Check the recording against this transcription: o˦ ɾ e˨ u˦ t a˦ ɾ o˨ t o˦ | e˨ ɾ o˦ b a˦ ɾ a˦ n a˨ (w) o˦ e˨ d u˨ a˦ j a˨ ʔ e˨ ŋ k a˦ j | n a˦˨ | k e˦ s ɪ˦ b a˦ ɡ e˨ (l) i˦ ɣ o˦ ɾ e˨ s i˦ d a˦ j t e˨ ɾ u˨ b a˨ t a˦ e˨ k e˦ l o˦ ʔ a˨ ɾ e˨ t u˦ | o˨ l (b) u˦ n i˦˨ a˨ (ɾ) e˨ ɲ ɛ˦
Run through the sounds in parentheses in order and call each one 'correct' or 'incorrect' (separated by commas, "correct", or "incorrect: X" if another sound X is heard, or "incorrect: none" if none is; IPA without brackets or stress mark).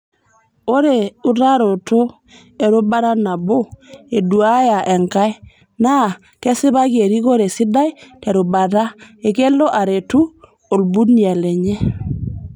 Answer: incorrect: b, incorrect: ɾ, correct, incorrect: l